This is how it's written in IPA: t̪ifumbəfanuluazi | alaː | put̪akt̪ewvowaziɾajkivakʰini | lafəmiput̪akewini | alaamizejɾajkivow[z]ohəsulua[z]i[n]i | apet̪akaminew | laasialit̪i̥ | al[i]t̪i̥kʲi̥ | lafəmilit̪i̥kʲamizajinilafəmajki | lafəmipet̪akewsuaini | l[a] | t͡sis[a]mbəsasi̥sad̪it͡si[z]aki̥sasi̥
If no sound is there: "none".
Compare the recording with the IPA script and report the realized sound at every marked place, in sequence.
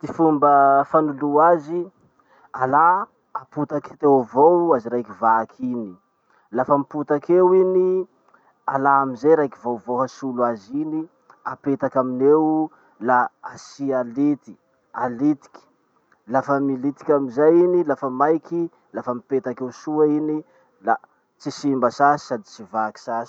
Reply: v, z, n, i, a, i, v

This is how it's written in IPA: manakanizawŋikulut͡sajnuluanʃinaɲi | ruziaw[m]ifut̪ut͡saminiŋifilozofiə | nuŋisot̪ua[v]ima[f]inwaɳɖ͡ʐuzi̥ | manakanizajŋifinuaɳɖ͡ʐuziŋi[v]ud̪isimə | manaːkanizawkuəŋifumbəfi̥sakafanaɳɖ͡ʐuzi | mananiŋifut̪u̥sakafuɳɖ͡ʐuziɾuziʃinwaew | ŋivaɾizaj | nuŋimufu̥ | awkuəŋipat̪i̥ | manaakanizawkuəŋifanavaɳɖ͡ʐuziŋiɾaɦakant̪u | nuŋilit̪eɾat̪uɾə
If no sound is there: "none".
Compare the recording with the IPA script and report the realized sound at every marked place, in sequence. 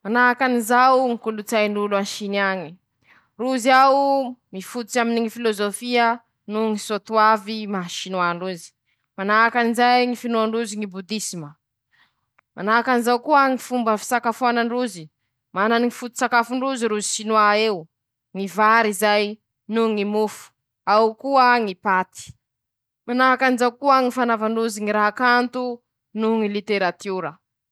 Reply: m, v, ʃ, b

